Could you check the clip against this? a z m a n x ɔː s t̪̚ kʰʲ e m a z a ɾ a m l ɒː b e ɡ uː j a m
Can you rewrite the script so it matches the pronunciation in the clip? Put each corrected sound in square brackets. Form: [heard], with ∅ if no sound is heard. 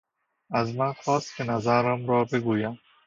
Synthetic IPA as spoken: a z m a n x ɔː s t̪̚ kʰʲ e [n] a z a ɾ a m [ɾ] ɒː b e ɡ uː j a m